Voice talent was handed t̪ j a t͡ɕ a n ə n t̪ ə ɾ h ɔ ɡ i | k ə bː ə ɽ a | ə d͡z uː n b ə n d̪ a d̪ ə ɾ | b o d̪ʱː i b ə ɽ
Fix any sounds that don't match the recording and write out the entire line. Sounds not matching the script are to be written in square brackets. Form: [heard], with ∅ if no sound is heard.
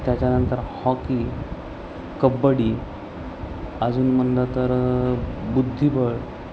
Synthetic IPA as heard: t̪ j a t͡ɕ a n ə n t̪ ə ɾ h ɔ [k] i | k ə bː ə ɽ [i] | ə d͡z uː n [m] ə n d̪ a [t̪] ə ɾ | b [u] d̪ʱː i b ə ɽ

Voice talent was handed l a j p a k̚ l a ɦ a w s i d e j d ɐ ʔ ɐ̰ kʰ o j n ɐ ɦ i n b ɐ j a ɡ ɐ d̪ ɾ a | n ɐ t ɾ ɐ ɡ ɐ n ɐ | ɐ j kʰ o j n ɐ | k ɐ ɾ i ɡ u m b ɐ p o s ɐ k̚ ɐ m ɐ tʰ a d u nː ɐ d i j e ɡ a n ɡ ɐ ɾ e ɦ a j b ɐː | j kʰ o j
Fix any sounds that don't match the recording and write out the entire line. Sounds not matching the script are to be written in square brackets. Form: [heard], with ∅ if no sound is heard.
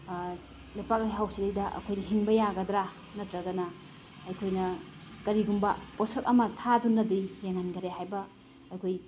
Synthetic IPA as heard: l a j p a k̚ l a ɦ a w s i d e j d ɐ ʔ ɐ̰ kʰ o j n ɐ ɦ i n b ɐ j a ɡ ɐ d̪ ɾ a | n ɐ t ɾ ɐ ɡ ɐ n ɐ | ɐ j kʰ o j n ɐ | k ɐ ɾ i ɡ u m b ɐ p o s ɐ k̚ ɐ m ɐ tʰ a d u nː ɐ d i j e [ŋ] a n ɡ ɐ ɾ e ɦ a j b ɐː | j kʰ o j

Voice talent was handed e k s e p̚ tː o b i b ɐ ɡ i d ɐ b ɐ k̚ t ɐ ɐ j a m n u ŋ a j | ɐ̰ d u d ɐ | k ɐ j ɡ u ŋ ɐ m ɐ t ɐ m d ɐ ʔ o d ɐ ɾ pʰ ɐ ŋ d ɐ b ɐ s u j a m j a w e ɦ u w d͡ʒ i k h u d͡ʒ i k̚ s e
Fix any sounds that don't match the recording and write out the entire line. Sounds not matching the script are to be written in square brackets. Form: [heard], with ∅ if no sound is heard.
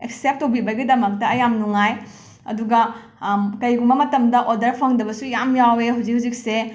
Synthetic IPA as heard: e k s e p̚ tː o b i b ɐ ɡ i d ɐ [m] ɐ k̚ t ɐ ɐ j a m n u ŋ a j | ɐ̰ d u [ɡ] ɐ | k ɐ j ɡ u [m] ɐ m ɐ t ɐ m d ɐ ʔ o d ɐ ɾ pʰ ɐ ŋ d ɐ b ɐ s u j a m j a w e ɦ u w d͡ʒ i k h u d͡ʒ i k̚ s e

